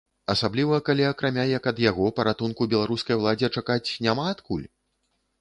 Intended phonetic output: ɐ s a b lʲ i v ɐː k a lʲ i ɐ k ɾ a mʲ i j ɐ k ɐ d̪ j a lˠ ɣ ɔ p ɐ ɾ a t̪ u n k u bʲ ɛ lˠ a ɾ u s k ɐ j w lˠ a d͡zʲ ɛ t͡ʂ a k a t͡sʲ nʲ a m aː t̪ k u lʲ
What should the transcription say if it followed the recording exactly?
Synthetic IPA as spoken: ɐ s a b lʲ i v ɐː k a lʲ i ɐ k ɾ a mʲ a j ɐ k ɐ d̪ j a ɣ ɔ p ɐ ɾ a t̪ u n k u bʲ ɛ lˠ a ɾ u s k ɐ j w lˠ a d͡zʲ ɛ t͡ʂ a k a t͡sʲ nʲ a m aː t̪ k u lʲ